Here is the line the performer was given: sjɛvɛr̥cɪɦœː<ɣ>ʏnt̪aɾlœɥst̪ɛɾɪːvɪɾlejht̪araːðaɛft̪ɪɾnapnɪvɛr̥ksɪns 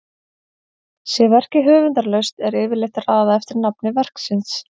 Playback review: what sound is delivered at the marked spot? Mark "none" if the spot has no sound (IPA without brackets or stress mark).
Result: v